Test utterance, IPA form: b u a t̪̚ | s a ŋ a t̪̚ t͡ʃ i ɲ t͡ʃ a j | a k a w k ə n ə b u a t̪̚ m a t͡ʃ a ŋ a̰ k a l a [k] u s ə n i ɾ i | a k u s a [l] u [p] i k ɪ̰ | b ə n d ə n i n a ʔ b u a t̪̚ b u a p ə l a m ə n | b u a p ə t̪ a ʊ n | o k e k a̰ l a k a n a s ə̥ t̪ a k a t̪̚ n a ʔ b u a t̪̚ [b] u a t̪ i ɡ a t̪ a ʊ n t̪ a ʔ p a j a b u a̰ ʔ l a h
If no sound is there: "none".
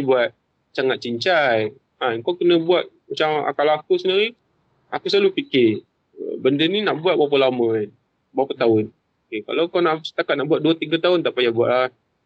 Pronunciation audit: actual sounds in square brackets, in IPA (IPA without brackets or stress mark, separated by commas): k, l, p, d